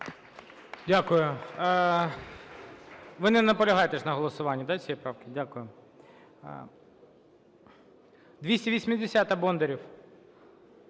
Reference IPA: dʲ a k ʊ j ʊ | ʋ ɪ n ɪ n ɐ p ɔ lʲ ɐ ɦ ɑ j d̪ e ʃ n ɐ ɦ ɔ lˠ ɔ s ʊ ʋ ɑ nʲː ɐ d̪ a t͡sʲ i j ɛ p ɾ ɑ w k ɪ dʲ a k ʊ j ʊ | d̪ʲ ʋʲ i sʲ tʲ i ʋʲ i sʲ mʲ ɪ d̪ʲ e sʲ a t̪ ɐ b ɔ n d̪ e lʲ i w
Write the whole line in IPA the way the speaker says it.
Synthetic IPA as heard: dʲ a k ʊ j ʊ | ʋ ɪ n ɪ n ɐ p ɔ lʲ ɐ ɦ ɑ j t̪ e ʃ n ɐ ɦ ɔ lˠ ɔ s ʊ ʋ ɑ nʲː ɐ d̪ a t͡sʲ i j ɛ p ɾ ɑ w k ɪ dʲ a k ʊ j ʊ | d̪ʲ ʋʲ i sʲ tʲ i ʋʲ i sʲ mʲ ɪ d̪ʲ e sʲ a t̪ ɐ b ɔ n d̪ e ɾʲ i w